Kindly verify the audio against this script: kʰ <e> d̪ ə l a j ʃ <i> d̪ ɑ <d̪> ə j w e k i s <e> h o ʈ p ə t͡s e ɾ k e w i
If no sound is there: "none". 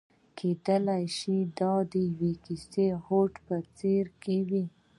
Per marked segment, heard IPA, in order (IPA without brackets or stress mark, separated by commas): e, i, d̪, e